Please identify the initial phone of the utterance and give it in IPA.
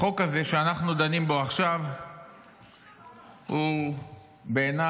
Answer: o̞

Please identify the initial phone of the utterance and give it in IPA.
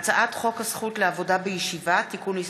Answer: t͡s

